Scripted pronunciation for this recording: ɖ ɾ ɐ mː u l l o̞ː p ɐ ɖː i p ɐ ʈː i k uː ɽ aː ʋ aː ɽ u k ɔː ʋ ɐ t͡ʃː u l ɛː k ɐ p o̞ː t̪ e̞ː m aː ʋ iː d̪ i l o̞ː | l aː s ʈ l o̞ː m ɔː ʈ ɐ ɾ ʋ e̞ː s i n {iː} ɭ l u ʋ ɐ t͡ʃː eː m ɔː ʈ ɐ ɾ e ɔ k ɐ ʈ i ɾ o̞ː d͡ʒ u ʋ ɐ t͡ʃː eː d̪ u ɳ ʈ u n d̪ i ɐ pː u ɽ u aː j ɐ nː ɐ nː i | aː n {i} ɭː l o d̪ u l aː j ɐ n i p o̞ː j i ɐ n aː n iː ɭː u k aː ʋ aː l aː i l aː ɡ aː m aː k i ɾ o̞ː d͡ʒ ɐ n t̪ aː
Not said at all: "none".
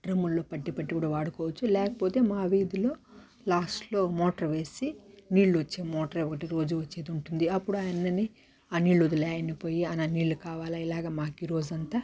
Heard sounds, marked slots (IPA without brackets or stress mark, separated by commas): iː, iː